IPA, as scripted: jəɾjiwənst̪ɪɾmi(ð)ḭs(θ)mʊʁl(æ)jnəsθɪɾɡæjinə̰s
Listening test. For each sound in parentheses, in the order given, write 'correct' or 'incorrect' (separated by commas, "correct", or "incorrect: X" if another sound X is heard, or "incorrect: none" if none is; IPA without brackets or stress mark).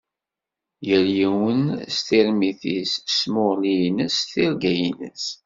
incorrect: θ, incorrect: s, incorrect: i